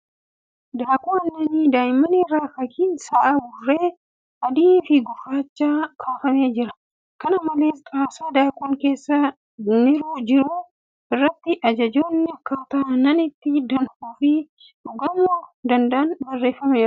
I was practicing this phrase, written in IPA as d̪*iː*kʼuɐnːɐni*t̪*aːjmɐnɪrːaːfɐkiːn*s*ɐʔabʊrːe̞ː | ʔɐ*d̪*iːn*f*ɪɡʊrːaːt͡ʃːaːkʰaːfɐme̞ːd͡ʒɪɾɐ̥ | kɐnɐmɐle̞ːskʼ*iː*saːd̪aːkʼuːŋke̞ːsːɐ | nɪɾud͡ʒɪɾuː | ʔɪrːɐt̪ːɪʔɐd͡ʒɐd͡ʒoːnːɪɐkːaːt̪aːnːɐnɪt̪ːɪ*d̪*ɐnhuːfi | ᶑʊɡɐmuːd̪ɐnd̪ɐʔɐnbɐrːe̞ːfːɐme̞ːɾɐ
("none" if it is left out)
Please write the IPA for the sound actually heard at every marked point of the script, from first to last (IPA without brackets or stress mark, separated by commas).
aː, d̪, s, d̪, f, aː, d̪